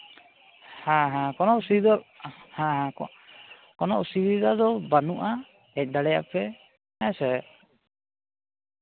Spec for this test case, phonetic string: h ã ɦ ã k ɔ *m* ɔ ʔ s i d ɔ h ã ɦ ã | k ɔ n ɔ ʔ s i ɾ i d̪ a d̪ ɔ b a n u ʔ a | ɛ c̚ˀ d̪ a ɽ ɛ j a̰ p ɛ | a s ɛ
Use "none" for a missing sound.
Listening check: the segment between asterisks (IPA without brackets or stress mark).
n